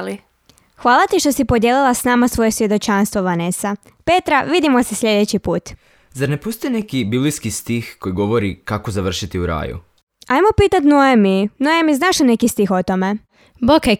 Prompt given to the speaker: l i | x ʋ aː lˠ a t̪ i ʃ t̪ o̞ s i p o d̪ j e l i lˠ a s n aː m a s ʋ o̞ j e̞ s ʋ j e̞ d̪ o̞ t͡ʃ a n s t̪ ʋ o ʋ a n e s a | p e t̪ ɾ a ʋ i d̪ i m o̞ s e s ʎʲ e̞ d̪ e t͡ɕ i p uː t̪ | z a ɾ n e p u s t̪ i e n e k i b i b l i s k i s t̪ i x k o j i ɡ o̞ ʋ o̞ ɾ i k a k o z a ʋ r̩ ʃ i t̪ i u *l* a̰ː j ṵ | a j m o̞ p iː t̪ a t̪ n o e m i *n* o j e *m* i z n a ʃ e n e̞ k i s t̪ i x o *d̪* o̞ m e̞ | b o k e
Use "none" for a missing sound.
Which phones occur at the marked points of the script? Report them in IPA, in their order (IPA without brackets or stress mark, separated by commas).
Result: ɾ, n, m, t̪